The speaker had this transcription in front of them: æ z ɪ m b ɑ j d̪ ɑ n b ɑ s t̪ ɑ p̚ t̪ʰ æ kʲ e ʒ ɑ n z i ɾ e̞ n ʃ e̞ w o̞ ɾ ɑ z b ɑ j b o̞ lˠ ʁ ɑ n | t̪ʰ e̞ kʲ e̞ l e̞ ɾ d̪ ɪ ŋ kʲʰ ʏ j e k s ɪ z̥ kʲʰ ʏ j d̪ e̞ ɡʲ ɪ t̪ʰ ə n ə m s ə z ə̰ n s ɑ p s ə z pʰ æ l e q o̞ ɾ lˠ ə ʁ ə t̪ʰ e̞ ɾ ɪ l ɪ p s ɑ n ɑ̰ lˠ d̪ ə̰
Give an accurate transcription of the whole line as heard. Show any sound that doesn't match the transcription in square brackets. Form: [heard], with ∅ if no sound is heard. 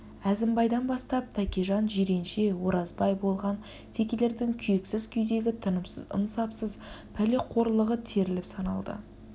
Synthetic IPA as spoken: æ z ɪ m b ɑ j d̪ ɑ n b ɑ s t̪ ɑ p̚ t̪ʰ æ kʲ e ʒ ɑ n [ʒ] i ɾ e̞ n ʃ e̞ w o̞ ɾ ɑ z b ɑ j b o̞ lˠ ʁ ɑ n | t̪ʰ e̞ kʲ e̞ l e̞ ɾ d̪ ɪ ŋ kʲʰ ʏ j e k s ɪ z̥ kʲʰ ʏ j d̪ e̞ ɡʲ ɪ t̪ʰ ə n ə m s ə z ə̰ n s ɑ p s ə z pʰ æ l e [qʰ] o̞ ɾ lˠ ə ʁ ə t̪ʰ e̞ ɾ ɪ l ɪ p s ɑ n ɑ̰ lˠ d̪ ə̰